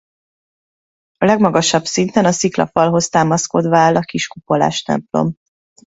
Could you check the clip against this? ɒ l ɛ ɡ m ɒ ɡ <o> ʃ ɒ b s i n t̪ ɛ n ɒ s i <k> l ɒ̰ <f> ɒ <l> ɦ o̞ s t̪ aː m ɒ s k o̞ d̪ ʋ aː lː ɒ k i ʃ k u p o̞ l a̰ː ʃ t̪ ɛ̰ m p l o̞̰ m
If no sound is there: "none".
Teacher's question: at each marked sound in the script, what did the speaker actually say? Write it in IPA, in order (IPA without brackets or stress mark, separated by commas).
ɒ, k, f, l